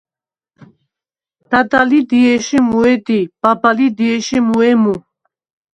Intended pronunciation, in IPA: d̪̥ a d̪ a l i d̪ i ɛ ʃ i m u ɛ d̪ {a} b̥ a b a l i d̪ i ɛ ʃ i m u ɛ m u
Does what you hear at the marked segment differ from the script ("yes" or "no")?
yes